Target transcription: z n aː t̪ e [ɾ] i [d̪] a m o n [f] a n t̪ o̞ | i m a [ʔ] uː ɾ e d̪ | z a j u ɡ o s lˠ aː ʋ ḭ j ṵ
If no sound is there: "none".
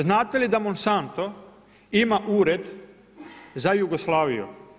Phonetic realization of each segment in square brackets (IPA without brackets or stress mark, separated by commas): l, d̪, s, ʔ